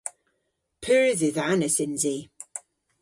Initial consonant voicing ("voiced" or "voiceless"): voiceless